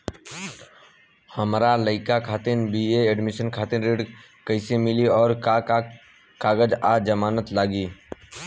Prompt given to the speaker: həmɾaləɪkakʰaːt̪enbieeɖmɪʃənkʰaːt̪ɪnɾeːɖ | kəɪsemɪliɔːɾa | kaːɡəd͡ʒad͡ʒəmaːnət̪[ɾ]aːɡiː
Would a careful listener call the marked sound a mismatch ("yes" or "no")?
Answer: yes